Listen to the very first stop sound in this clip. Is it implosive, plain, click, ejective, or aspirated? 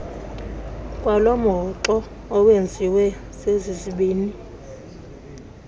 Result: ejective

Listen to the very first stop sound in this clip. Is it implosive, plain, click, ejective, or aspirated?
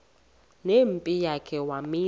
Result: ejective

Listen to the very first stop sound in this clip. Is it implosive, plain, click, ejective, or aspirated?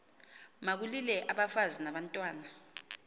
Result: plain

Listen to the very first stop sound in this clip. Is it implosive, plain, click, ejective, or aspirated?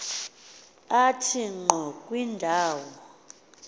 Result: aspirated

